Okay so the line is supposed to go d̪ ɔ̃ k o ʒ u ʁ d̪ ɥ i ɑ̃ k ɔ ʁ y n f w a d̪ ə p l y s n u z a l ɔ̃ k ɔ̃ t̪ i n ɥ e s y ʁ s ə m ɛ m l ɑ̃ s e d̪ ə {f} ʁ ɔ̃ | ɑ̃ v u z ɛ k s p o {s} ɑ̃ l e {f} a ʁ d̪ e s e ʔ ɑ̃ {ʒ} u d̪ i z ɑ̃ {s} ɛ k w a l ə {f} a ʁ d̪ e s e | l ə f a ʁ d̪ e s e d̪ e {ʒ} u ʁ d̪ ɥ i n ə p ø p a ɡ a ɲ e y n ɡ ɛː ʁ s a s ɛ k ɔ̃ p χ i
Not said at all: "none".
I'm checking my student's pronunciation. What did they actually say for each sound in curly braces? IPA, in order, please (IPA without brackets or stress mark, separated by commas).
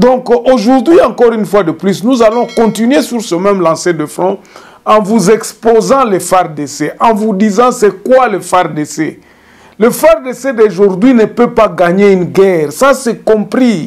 f, z, f, v, s, f, ʒ